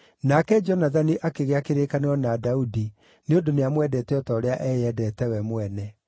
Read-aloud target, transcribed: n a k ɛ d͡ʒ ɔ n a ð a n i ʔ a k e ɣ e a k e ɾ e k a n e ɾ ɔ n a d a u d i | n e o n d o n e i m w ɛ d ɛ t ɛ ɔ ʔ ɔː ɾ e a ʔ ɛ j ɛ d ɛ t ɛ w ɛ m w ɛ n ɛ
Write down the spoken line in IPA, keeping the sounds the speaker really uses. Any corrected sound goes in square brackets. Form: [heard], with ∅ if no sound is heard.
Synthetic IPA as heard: n a k ɛ d͡ʒ ɔ n a ð a n i ʔ a k e ɣ e a k e ɾ e k a n e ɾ ɔ n a d a u d i | n e o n d o n e [a] m w ɛ d ɛ t ɛ ɔ [t] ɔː ɾ e a ʔ ɛ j ɛ d ɛ t ɛ w ɛ m w ɛ n ɛ